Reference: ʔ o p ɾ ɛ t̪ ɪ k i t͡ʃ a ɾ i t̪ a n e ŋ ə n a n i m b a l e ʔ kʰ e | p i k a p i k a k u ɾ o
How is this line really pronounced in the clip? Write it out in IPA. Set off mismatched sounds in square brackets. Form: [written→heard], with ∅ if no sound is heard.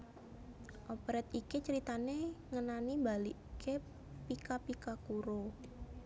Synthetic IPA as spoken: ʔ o p ɾ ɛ t̪ [ɪ→i] k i t͡ʃ [a→ə] ɾ i t̪ a n e ŋ ə n a n i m b a l [e→i] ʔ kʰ e | p i k a p i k a k u ɾ o